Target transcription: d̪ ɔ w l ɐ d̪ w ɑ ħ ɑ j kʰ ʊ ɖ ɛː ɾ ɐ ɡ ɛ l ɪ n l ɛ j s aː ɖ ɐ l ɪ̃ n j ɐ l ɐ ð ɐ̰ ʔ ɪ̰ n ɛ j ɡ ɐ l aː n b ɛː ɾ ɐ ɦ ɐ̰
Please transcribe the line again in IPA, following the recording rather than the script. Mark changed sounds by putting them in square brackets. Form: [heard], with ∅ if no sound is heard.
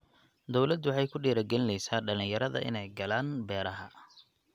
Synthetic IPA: d̪ ɔ w l ɐ d̪ w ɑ ħ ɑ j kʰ ʊ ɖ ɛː ɾ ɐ ɡ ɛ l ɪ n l ɛ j s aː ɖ ɐ l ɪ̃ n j ɐ [ɾ] ɐ ð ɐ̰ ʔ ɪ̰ n ɛ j ɡ ɐ l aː n b ɛː ɾ ɐ ɦ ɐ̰